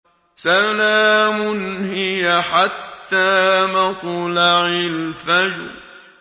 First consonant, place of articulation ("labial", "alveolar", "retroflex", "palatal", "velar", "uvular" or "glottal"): alveolar